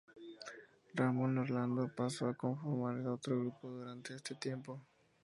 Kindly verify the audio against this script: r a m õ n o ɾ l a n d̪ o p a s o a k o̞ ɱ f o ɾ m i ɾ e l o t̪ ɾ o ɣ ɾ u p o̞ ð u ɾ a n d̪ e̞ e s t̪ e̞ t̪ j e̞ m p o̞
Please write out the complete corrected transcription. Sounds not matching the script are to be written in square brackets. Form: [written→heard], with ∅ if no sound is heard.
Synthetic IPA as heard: r a m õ n o ɾ l a n d̪ o p a s o a k o̞ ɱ f o ɾ m [i→a] ɾ e l o t̪ ɾ o ɣ ɾ u p o̞ ð u ɾ a n [d̪→t̪] e̞ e s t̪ e̞ t̪ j e̞ m p o̞